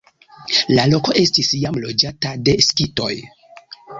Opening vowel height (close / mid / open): open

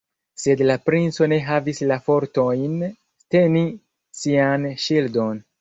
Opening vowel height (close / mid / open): mid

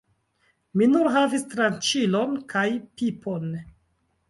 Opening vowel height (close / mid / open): close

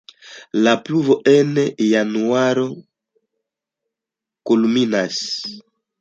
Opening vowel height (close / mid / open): open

